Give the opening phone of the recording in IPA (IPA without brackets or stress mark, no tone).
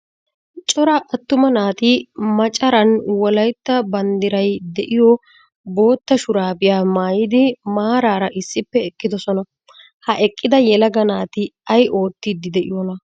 t͡ʃʼ